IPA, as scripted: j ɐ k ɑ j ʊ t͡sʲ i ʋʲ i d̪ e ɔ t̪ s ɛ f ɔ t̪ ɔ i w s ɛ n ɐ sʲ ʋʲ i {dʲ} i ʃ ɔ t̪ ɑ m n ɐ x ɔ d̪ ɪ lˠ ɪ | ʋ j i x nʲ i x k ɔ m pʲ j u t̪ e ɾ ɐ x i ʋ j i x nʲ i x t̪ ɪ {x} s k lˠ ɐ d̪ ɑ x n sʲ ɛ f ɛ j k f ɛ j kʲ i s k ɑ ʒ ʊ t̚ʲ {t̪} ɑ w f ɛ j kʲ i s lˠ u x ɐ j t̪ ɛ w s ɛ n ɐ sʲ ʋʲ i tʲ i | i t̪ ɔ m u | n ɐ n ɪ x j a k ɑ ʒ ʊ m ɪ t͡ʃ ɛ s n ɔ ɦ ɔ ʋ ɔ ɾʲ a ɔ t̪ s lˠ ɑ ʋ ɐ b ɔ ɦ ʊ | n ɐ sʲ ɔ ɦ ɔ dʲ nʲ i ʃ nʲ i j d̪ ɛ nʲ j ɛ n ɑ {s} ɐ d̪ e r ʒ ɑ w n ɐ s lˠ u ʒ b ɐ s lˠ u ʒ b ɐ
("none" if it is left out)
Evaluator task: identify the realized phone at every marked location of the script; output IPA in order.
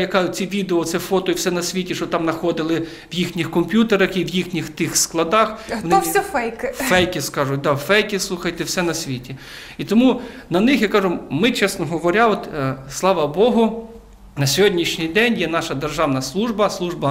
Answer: tʲ, x, d̪, ʃ

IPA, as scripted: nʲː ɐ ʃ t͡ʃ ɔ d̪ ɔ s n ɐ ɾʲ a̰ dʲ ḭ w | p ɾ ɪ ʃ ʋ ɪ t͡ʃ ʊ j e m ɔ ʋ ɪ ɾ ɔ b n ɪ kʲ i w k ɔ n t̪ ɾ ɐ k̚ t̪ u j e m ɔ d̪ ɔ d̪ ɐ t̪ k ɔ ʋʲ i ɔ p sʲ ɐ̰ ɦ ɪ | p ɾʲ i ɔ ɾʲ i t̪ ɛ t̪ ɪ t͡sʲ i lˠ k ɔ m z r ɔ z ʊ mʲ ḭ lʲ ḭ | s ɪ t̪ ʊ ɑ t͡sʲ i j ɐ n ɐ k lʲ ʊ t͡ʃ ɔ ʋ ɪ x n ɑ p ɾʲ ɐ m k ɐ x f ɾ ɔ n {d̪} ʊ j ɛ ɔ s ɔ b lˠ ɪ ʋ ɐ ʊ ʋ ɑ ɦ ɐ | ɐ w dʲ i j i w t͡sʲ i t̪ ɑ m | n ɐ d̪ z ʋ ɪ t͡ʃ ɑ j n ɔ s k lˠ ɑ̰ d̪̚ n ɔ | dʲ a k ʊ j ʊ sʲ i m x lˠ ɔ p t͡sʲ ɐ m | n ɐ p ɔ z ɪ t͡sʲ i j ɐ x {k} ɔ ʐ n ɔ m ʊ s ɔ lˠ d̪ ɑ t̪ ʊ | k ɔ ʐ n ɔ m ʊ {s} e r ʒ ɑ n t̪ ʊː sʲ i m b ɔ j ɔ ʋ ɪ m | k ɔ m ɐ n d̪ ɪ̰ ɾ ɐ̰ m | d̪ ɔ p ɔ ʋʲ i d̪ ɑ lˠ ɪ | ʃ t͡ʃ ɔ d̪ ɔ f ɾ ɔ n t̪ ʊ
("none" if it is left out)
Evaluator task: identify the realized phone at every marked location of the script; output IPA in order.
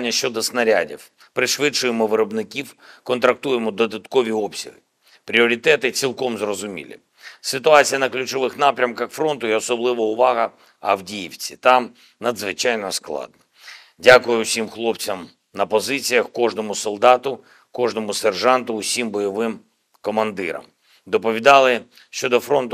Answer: t̪, k, s

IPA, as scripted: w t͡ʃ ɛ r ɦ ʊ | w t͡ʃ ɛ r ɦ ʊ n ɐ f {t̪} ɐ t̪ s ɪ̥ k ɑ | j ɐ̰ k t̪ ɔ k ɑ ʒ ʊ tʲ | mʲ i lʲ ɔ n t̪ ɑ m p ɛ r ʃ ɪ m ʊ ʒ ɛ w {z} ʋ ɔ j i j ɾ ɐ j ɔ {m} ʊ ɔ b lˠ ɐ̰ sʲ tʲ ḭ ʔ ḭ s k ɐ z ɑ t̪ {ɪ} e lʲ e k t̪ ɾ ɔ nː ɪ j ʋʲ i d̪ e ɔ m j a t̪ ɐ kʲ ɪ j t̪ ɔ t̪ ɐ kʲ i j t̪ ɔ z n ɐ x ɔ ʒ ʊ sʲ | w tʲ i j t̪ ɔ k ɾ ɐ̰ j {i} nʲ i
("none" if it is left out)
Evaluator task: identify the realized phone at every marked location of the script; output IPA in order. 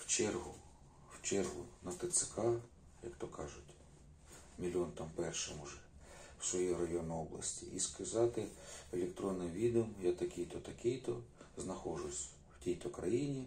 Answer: t̪, s, n, ɪ, i

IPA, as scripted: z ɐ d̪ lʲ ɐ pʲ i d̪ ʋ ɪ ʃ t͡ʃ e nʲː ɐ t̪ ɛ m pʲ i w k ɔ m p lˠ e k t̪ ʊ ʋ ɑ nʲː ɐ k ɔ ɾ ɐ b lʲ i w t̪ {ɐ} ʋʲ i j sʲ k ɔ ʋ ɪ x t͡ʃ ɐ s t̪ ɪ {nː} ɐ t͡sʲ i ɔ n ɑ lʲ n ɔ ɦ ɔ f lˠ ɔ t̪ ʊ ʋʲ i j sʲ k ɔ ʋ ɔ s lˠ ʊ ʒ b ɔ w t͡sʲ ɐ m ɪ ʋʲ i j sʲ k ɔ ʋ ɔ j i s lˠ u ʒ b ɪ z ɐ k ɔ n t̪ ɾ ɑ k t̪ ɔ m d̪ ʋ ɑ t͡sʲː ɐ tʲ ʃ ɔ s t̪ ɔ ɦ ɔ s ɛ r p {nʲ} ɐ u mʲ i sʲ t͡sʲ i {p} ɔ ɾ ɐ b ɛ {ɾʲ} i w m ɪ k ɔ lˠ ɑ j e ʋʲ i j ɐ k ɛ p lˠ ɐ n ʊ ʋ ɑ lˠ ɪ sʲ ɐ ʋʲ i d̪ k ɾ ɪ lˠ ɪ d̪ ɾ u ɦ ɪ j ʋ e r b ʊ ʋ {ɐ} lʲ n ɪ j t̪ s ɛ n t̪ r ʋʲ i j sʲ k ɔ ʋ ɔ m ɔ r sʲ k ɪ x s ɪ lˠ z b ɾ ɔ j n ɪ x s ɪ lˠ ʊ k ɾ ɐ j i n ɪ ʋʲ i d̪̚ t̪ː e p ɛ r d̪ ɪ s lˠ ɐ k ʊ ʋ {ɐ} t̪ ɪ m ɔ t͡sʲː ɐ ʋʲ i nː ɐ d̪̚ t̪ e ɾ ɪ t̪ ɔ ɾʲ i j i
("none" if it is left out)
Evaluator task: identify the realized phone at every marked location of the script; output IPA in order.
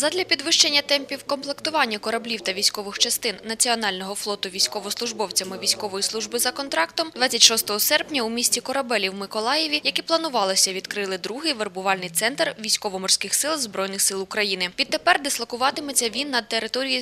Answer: ɐ, nː, nʲ, k, lʲ, ɑ, ɑ

